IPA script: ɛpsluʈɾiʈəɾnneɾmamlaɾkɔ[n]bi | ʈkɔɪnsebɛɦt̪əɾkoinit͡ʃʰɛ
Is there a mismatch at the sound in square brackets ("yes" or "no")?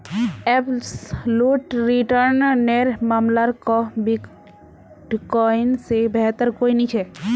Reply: yes